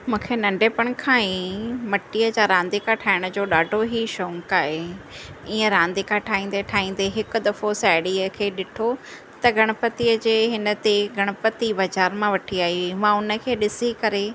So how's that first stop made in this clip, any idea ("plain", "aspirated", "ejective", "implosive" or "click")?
aspirated